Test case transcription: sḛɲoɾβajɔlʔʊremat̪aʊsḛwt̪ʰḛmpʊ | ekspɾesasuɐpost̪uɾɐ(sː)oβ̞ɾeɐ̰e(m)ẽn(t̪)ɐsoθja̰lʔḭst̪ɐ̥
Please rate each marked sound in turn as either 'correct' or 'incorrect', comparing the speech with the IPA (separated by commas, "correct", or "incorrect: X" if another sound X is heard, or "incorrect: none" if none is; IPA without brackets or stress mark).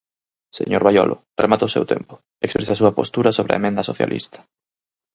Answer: incorrect: s, correct, incorrect: d̪